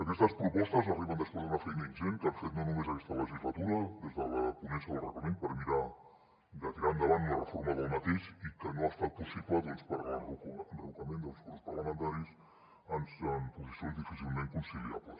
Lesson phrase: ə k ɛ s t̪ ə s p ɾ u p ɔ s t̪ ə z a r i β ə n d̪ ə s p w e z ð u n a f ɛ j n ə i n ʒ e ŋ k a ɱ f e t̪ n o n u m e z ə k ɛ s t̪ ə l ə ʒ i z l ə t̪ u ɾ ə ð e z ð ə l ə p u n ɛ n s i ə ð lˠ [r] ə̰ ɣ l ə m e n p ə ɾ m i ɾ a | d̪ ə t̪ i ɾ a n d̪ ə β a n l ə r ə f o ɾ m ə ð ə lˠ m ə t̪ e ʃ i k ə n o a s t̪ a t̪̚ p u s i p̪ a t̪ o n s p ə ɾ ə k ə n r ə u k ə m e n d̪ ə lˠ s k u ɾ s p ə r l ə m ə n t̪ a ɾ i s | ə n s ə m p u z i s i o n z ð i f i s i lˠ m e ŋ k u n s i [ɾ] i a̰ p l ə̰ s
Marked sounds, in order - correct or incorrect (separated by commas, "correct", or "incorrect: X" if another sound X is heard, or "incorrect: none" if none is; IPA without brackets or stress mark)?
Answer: correct, incorrect: l